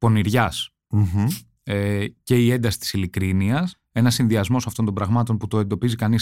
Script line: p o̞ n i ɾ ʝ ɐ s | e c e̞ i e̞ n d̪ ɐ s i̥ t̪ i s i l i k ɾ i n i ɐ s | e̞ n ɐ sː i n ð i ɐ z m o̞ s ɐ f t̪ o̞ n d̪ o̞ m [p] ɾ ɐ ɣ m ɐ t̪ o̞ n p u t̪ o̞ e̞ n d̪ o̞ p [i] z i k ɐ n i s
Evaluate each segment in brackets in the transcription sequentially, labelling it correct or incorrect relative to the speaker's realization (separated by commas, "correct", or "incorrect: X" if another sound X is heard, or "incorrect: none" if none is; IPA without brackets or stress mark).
incorrect: b, correct